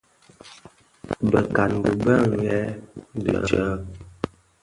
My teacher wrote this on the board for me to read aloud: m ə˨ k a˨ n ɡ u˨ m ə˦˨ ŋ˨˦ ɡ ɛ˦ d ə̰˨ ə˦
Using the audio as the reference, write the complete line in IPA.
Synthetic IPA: b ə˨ k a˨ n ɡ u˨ b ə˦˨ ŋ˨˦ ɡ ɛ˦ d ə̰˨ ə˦